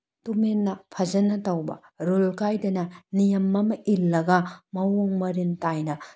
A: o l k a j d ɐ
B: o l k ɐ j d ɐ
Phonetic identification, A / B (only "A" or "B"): A